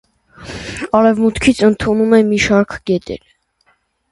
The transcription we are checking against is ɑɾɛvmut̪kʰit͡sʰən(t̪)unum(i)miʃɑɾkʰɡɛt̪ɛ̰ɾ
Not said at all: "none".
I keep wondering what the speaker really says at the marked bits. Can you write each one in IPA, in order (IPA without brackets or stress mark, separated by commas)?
t̪ʰ, ɛ